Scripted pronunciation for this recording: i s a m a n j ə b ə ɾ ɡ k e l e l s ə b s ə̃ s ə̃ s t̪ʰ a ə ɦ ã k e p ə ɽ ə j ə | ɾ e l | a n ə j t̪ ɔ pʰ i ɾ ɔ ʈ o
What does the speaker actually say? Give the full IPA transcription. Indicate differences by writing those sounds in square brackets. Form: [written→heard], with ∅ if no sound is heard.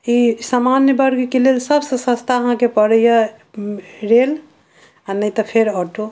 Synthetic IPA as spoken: i s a m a n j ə b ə ɾ ɡ k e l e l s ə b s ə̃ s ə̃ s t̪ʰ a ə ɦ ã k e p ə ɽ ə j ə | ɾ e l | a n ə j t̪ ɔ pʰ [i→e] ɾ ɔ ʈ o